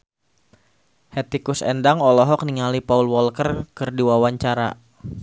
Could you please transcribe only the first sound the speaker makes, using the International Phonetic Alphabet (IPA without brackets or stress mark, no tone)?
h